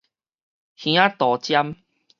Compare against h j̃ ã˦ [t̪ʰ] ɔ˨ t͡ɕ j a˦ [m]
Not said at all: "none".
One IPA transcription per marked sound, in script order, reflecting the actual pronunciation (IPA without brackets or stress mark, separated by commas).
t̪, m